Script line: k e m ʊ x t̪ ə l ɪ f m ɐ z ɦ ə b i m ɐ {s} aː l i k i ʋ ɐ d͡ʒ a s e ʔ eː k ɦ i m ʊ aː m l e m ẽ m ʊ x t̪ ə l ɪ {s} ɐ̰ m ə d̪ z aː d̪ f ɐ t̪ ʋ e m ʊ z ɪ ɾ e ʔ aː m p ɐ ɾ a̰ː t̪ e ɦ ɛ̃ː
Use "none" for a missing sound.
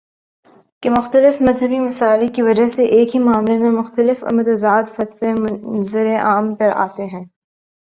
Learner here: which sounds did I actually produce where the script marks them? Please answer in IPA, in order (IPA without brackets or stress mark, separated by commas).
s, f